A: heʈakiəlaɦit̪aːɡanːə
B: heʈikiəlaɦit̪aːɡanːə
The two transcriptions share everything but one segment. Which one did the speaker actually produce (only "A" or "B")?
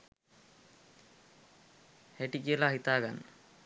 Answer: B